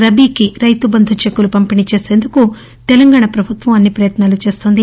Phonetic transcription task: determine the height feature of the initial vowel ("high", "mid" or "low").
low